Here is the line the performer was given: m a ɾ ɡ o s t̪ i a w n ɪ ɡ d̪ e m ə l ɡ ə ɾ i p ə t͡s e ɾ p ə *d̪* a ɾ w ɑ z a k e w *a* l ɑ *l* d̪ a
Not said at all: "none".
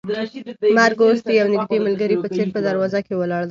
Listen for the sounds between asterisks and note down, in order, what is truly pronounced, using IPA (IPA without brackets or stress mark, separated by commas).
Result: d̪, ə, ɽ